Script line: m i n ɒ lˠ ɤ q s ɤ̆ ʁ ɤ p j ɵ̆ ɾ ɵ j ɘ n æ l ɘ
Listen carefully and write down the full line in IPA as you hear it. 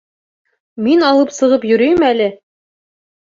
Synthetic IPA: m i n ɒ lˠ ɤ p s ɤ̆ ʁ ɤ p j ɵ̆ ɾ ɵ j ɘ m æ l ɘ